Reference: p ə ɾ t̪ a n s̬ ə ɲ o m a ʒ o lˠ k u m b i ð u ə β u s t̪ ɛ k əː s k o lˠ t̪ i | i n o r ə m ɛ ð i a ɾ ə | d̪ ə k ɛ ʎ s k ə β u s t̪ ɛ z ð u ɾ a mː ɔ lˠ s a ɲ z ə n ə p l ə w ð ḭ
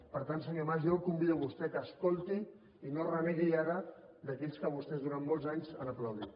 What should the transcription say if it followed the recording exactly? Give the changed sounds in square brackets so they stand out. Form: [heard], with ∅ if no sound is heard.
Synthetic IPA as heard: p ə ɾ t̪ a n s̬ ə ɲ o m a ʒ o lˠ k u m b i ð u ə β u s t̪ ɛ k əː s k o lˠ t̪ i | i n o r ə m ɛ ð i a ɾ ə | d̪ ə k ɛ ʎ s k ə β u s t̪ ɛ z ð u ɾ a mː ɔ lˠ [z] a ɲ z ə n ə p l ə w ð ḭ